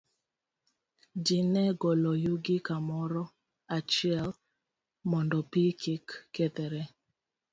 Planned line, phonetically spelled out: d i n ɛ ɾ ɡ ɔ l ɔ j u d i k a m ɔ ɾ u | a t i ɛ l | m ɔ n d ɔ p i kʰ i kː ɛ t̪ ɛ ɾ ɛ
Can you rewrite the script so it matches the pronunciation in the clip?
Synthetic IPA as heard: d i n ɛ ɡ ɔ l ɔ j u ɡ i k a m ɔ ɾ ɔ | a t͡ʃ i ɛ l | m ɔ n d ɔ p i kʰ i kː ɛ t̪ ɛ ɾ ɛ